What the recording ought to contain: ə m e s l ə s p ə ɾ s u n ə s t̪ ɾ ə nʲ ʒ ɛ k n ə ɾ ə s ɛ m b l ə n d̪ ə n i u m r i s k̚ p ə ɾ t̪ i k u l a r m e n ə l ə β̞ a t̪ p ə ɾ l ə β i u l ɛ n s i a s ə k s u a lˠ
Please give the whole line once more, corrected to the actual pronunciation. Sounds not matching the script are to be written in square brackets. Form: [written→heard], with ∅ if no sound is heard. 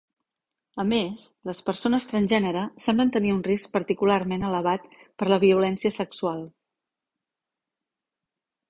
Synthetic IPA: ə m e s l ə s p ə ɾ s [u→o] n ə s t̪ ɾ ə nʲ ʒ ɛ [k→∅] n ə ɾ ə s ɛ m b l ə n [d̪→t̪] ə n i u [m→n] r i s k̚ p ə ɾ t̪ i k u l a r m e n ə l ə β̞ a t̪ p ə ɾ l ə β i u l ɛ n s i [a→ə] s ə k s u a lˠ